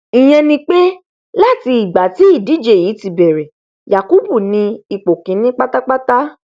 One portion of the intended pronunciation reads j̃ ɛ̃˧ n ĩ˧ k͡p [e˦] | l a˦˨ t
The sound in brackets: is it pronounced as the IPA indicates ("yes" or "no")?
yes